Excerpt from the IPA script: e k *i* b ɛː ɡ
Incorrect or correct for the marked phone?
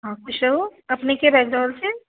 incorrect: e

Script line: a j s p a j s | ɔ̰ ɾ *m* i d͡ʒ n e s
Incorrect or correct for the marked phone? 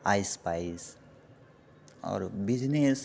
incorrect: b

